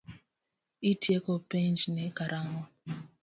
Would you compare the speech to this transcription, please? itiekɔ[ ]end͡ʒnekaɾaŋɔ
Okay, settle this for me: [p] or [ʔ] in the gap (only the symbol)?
p